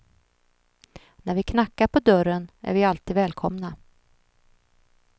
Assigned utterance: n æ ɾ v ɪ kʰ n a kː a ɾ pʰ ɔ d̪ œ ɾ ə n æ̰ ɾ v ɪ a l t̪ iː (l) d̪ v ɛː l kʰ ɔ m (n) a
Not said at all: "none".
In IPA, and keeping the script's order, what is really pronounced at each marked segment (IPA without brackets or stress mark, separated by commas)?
none, n